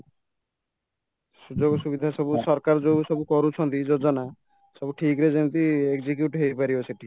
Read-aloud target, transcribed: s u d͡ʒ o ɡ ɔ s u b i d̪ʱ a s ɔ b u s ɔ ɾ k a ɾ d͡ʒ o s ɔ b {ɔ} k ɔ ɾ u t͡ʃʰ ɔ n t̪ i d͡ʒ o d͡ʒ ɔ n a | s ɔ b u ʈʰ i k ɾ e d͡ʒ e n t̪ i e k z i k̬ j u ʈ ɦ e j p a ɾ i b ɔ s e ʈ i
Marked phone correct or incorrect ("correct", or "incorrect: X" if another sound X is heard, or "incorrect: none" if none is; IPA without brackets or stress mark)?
incorrect: u